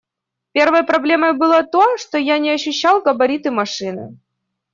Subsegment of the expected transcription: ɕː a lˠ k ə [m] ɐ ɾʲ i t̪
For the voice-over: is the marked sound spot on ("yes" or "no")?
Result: no